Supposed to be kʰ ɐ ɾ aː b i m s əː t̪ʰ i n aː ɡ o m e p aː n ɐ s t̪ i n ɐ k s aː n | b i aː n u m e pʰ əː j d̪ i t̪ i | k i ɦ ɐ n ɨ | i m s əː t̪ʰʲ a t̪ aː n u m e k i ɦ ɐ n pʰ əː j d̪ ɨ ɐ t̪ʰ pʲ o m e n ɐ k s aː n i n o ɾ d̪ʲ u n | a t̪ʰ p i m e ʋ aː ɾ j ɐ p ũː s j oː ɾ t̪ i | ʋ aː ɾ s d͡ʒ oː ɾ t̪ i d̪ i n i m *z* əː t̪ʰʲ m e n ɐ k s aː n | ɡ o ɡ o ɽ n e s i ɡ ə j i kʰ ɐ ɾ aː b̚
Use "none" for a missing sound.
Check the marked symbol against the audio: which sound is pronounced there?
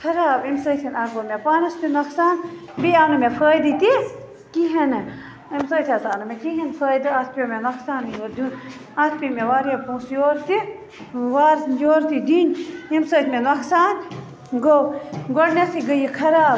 s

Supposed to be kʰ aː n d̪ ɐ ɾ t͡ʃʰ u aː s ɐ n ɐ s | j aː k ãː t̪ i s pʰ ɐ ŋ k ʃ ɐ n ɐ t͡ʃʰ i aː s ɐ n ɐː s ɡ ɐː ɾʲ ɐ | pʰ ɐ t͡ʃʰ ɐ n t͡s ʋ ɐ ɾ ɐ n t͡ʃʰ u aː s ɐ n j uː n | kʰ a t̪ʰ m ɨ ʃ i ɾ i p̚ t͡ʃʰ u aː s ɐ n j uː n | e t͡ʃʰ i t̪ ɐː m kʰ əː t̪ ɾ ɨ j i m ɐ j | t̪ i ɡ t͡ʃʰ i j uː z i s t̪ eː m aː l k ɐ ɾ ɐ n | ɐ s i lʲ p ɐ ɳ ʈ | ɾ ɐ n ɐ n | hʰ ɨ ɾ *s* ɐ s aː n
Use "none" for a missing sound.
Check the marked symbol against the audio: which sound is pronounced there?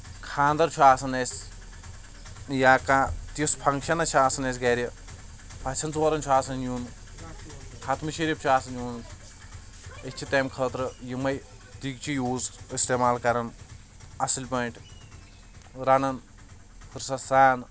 s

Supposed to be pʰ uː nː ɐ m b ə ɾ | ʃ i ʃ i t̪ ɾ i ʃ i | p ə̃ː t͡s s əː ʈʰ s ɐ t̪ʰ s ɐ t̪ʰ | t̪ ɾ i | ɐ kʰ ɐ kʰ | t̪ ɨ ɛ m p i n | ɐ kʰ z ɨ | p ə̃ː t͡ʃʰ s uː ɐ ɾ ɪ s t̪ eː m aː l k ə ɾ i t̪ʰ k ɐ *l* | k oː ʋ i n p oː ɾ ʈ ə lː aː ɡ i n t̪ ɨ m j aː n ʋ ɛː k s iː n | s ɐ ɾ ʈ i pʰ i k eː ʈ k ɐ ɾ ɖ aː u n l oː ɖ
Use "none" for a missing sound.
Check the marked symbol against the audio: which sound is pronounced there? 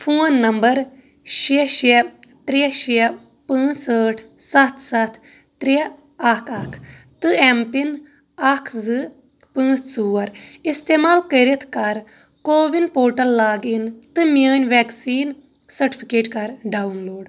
ɾ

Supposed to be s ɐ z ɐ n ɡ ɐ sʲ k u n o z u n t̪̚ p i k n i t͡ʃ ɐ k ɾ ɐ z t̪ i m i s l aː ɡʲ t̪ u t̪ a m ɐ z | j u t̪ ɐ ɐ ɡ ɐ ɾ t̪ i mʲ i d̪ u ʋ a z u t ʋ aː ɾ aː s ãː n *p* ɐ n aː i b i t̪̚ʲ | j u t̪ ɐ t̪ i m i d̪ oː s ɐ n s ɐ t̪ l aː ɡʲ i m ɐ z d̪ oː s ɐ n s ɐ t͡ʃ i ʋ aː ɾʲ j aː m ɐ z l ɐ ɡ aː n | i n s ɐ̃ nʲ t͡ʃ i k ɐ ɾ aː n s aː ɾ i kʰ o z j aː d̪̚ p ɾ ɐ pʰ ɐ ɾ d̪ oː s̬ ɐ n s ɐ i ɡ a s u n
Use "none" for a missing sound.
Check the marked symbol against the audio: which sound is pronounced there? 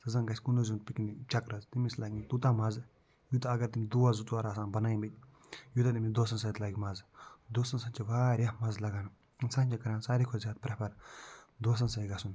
b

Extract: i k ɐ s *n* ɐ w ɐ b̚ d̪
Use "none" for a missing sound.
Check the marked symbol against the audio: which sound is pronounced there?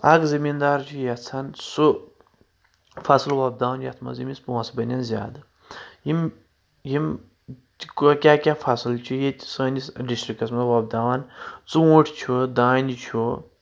m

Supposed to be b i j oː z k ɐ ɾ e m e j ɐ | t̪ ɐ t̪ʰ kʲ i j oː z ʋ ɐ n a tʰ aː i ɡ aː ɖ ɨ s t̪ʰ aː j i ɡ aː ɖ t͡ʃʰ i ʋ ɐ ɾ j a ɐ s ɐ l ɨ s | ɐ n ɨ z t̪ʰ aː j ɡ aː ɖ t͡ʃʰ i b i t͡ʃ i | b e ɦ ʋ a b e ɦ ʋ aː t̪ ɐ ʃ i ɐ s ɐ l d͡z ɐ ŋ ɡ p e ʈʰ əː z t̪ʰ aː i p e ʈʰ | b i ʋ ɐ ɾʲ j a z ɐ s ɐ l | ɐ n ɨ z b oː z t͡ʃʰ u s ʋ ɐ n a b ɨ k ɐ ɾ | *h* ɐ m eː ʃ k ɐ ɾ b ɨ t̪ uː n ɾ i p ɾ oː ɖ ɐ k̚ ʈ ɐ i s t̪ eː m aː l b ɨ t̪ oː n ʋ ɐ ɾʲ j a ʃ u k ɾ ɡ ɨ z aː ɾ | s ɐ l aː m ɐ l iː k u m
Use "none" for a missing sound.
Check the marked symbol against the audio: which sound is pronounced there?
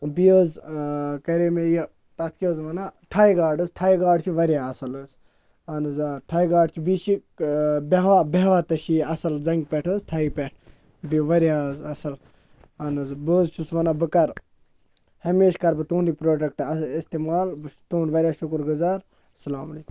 h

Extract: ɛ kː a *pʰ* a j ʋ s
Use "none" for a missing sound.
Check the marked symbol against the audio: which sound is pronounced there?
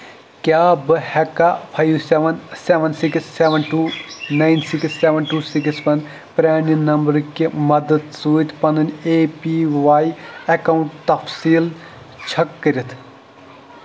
pʰ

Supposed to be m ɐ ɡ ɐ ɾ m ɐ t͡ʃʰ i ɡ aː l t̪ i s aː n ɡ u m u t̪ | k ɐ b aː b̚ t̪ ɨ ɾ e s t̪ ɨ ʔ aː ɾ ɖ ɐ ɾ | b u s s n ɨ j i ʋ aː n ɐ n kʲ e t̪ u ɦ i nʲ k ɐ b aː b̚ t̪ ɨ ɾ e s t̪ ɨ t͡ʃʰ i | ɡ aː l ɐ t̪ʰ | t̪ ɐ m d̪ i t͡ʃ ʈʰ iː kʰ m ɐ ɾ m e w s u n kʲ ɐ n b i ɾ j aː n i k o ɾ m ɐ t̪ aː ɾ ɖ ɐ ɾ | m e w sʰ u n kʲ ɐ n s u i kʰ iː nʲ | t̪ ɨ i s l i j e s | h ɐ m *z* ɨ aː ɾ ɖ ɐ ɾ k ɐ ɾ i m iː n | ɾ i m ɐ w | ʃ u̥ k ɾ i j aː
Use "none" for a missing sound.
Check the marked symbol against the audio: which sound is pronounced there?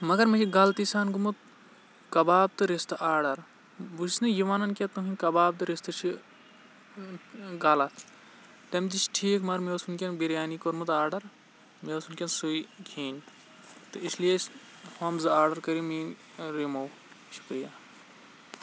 z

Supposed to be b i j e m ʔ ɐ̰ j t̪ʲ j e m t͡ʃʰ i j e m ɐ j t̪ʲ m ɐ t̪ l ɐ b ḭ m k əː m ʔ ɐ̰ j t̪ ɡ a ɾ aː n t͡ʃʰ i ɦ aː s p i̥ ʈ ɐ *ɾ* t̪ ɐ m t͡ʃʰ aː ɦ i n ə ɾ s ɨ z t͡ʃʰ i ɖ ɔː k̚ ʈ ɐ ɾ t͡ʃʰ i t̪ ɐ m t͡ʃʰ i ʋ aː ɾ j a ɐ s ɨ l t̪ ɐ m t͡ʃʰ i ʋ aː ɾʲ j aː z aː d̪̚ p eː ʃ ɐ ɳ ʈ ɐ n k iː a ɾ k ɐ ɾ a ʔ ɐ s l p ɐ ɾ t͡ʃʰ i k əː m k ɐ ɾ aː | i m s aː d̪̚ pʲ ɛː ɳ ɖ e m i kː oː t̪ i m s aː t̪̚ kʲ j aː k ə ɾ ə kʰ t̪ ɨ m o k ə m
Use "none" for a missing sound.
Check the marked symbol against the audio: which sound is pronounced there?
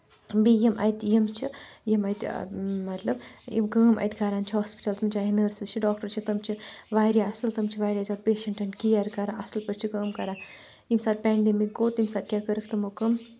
l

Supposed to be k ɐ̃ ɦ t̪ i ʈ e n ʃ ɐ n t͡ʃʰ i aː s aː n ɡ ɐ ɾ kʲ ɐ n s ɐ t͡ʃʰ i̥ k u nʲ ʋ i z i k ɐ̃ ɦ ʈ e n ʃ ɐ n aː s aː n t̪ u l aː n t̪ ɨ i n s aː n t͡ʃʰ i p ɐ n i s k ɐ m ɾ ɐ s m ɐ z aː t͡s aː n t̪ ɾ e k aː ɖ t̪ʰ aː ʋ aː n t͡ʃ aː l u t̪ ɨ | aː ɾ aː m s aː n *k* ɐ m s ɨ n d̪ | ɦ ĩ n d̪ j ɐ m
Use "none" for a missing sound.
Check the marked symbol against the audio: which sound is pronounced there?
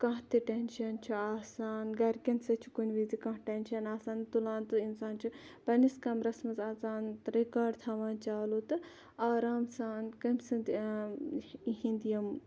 k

